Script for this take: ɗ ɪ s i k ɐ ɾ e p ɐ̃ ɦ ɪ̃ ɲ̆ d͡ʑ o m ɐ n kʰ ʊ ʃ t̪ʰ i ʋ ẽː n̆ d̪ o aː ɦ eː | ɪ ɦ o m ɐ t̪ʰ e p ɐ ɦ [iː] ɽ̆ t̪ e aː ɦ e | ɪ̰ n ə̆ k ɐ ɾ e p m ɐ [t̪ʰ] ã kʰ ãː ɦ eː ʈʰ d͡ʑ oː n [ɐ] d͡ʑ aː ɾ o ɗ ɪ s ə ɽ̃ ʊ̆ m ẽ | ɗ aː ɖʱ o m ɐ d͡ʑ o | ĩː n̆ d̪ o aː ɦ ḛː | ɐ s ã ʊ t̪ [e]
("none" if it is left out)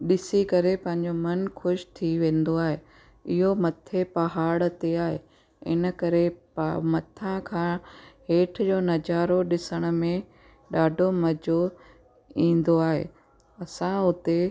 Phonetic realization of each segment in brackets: aː, t̪ʰ, ɐ, e

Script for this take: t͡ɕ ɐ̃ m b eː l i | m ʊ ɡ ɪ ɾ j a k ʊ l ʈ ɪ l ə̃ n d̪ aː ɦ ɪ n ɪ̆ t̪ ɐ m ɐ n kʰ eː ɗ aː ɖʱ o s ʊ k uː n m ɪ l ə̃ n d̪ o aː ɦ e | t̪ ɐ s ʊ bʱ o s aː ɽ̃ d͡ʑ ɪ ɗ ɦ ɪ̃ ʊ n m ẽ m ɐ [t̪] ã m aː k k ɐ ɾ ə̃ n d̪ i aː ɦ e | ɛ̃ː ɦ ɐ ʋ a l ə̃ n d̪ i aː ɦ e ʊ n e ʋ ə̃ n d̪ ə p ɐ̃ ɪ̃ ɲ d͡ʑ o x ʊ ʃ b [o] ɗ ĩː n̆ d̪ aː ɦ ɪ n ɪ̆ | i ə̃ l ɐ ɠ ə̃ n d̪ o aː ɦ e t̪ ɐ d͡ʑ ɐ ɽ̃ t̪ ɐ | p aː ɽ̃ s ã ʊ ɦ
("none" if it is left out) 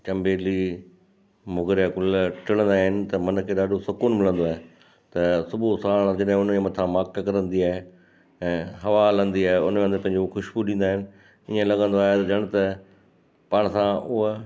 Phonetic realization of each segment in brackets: t̪ʰ, u

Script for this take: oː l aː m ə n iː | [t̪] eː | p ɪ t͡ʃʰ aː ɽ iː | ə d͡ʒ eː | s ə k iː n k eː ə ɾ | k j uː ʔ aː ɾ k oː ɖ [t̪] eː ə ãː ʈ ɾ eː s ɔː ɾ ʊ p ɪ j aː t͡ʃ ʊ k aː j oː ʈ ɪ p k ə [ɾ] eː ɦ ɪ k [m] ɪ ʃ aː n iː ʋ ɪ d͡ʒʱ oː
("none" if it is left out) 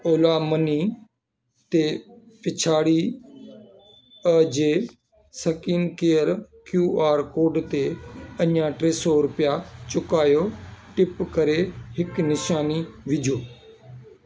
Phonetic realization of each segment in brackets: t̪, t̪, ɾ, n

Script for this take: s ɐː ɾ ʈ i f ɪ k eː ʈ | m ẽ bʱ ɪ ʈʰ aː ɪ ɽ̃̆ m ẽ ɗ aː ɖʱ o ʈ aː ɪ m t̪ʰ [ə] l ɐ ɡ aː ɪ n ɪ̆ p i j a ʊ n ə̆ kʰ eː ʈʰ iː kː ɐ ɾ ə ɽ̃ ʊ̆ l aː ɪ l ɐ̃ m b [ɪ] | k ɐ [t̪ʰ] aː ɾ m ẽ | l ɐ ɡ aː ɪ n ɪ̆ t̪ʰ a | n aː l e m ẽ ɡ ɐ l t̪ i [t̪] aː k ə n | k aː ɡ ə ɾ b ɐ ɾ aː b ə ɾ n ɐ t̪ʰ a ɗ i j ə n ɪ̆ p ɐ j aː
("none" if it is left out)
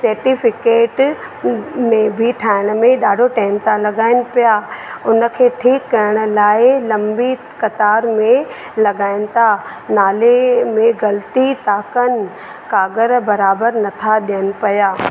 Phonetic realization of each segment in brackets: a, i, t̪, t̪

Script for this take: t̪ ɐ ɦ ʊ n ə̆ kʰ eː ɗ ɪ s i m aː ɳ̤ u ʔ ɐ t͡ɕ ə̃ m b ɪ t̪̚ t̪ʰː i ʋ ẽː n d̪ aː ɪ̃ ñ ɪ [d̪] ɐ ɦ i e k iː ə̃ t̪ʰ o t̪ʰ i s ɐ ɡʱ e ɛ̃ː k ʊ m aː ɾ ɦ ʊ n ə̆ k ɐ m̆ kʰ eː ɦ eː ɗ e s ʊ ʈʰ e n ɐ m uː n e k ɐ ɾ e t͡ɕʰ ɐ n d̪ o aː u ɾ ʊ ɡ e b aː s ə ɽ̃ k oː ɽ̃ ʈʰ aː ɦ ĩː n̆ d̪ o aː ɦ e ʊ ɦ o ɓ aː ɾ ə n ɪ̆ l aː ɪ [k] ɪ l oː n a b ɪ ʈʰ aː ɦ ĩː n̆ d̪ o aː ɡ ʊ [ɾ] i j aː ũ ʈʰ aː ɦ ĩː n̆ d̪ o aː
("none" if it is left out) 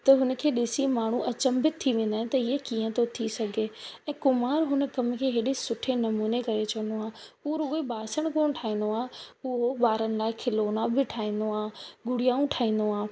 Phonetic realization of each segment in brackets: t̪, kʰ, ɽ

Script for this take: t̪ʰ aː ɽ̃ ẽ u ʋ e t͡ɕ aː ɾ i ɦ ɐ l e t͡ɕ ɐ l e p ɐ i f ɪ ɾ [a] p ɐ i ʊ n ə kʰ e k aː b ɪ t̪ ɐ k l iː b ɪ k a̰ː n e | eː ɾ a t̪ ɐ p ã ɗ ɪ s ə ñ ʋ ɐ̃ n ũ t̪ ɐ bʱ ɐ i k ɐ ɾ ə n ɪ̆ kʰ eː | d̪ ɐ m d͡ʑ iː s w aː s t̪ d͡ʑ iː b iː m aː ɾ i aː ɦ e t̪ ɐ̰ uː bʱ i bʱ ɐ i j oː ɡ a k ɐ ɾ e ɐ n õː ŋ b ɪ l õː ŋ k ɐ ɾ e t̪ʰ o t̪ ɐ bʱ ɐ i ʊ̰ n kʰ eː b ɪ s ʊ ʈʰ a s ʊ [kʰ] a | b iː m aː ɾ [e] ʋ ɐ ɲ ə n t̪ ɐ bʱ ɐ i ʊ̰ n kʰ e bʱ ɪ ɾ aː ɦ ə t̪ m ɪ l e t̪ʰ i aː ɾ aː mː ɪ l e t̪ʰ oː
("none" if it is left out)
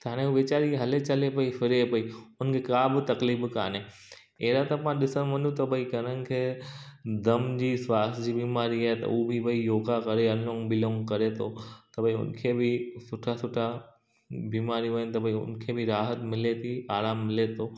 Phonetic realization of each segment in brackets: e, ʈʰ, i

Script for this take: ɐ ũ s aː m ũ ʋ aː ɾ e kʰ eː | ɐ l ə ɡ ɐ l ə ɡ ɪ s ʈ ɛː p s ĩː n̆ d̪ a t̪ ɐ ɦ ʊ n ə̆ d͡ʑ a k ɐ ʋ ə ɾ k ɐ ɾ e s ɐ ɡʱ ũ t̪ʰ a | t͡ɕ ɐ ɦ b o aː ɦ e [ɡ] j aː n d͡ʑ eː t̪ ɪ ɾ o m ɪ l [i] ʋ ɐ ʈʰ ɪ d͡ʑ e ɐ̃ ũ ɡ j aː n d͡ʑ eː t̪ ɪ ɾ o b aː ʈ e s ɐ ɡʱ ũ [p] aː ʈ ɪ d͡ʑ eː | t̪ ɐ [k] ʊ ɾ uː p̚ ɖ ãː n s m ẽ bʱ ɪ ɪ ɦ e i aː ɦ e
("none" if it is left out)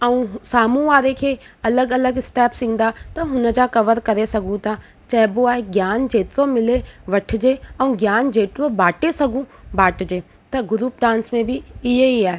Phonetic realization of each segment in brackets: ɡ, e, b, ɡ

